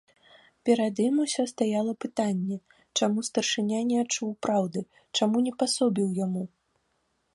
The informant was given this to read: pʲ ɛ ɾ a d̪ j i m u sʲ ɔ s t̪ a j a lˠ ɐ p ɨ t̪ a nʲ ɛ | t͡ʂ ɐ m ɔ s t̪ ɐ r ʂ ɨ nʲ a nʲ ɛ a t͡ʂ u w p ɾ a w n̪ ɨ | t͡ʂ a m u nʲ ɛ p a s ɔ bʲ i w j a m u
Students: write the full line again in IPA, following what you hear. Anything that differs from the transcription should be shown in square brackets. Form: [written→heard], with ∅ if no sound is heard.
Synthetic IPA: pʲ ɛ ɾ a d̪ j i m u sʲ ɔ s t̪ a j a lˠ ɐ p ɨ t̪ a [nʲ→nʲː] ɛ | t͡ʂ [ɐ→a] m [ɔ→u] s t̪ ɐ r ʂ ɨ nʲ a nʲ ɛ a t͡ʂ u w p ɾ a w [n̪→d̪] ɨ | t͡ʂ a m u nʲ ɛ p a s ɔ bʲ i w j a m u

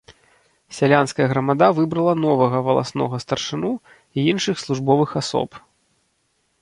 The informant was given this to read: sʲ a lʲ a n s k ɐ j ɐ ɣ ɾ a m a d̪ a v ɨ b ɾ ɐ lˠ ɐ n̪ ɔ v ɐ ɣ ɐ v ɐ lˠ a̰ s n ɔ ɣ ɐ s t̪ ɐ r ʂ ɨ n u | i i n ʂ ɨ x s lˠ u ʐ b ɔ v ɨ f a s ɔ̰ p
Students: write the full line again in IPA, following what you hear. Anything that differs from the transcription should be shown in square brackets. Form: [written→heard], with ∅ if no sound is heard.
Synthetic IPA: sʲ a lʲ a n s k ɐ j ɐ ɣ ɾ [a→ɐ] m a d̪ a v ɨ b ɾ ɐ lˠ ɐ n̪ ɔ v ɐ ɣ ɐ v ɐ lˠ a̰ s n ɔ ɣ ɐ s t̪ ɐ r ʂ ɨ n u | i i n ʂ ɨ x s lˠ u ʐ b ɔ v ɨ [f→x] a s ɔ̰ p

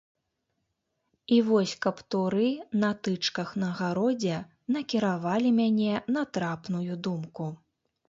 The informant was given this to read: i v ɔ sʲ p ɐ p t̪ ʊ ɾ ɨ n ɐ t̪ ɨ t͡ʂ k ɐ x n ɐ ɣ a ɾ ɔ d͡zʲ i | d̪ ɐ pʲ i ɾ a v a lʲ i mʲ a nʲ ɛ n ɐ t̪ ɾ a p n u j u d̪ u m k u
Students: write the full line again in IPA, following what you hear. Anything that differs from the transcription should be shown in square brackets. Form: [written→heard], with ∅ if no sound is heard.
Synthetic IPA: i v ɔ sʲ [p→k] ɐ p t̪ [ʊ→u] ɾ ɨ n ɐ t̪ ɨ t͡ʂ k ɐ x n ɐ ɣ a ɾ ɔ d͡zʲ [i→ɛ] | [d̪→n̪] ɐ [pʲ→kʲ] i ɾ a v a lʲ i mʲ a nʲ ɛ n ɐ t̪ ɾ a p n u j u d̪ u m k u

